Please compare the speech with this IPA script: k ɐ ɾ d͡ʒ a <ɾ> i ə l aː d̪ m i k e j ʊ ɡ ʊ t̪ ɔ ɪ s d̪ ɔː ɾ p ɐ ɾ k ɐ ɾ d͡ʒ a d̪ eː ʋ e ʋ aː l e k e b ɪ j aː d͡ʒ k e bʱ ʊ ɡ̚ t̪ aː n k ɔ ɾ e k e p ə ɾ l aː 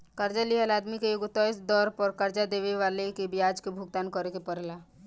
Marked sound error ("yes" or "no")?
yes